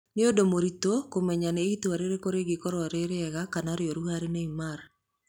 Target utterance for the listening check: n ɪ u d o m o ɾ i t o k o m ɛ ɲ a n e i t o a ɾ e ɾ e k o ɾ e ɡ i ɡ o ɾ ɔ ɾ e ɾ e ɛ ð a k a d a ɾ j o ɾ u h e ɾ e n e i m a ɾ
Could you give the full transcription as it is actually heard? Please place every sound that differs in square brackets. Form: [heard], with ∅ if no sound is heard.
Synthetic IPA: n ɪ [o] d o m o ɾ i t o k o m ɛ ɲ a n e i t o a ɾ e ɾ e k o ɾ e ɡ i [k] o ɾ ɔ ɾ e ɾ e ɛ [ɣ] a k a [n] a ɾ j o ɾ u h [a] ɾ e n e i m a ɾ

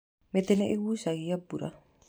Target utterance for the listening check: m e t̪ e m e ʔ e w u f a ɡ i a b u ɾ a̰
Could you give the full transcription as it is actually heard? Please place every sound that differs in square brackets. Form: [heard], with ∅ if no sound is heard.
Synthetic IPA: m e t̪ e [n] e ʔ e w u [s] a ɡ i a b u ɾ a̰

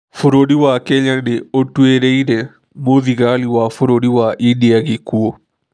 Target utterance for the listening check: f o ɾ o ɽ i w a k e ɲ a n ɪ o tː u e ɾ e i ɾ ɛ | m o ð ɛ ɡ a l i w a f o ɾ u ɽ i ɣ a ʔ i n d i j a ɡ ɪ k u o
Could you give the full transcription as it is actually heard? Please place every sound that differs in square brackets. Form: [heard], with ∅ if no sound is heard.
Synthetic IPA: f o ɾ o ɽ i w a k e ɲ a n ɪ o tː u e ɾ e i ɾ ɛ | m o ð [i] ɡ a l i w a f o ɾ [o] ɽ i [w] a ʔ i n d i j a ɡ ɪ k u o

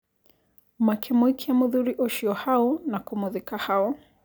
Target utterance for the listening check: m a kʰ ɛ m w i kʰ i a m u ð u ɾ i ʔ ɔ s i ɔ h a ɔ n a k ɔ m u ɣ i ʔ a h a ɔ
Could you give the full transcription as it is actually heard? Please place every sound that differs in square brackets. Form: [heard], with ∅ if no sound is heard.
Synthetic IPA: m a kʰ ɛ m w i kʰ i a m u ð u ɾ i ʔ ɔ [ʃ] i ɔ h a ɔ n a k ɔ m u [ð] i [k] a h a ɔ

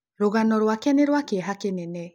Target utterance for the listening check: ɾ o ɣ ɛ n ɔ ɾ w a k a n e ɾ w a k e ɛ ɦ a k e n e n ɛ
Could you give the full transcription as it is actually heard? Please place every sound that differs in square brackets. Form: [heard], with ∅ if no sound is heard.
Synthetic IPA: ɾ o ɣ [a] n ɔ ɾ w a k [ɛ] n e ɾ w a k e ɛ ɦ a k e n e n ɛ

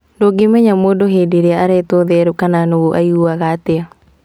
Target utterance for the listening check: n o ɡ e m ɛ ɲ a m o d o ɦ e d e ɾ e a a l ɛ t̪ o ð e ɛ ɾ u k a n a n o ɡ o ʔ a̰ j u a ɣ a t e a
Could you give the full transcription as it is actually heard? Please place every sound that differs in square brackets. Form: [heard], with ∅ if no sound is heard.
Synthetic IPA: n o ɡ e m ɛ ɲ a m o d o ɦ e d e ɾ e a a [ɾ] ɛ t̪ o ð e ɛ ɾ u k a n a n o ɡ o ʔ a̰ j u a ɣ a t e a

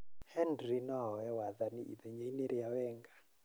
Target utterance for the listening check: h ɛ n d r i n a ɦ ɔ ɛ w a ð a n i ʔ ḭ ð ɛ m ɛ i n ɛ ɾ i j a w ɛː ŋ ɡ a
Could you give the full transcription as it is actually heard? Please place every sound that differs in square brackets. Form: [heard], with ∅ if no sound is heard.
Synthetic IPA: h ɛ n d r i n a ɦ ɔ ɛ w a ð a n i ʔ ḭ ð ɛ [ɲ] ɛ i n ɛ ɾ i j a w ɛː ŋ ɡ a

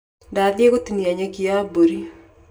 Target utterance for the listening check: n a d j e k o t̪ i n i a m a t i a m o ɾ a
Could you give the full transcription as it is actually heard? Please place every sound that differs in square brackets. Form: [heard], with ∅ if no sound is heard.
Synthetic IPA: [d] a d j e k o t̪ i n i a [ɲ] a [k] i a [b] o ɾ [i]

